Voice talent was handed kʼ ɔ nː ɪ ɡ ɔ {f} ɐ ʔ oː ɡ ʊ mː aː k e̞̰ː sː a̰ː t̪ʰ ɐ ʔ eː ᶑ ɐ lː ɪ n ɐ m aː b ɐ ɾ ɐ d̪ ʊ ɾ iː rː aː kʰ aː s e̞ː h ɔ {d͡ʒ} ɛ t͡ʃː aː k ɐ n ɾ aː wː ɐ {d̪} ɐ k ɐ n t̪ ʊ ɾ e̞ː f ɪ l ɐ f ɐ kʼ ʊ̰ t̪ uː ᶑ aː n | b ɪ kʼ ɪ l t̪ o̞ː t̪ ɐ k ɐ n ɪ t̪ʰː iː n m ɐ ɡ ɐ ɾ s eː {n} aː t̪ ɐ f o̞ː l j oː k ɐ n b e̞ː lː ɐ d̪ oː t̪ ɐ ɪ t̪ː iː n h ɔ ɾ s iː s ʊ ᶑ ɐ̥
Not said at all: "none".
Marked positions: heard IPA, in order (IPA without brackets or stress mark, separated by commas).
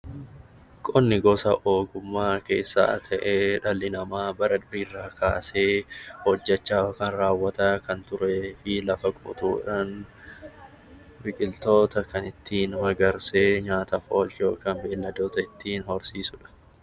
s, d͡ʒː, t̪, ɲ